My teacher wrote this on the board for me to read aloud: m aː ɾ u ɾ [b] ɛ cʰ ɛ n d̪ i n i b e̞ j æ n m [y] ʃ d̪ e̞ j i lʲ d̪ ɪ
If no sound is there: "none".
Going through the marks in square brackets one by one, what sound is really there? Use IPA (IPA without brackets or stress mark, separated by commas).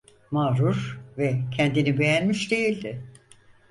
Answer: v, i